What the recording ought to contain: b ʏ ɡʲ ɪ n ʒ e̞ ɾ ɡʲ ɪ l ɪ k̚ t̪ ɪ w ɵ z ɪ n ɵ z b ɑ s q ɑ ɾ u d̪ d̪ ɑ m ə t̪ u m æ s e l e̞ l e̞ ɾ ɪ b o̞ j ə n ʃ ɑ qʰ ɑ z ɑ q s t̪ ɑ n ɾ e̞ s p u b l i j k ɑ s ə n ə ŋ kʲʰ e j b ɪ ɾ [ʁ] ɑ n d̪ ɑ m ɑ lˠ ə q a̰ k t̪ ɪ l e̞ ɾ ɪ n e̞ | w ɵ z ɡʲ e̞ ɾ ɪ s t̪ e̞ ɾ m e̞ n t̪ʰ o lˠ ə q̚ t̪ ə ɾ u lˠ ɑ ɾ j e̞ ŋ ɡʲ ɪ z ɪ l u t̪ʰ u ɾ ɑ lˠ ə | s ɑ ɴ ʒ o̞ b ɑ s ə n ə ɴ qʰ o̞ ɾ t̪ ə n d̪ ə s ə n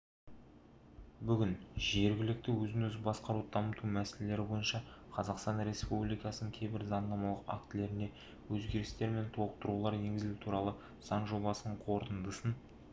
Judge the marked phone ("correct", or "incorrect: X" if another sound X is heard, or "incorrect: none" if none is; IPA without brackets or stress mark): incorrect: z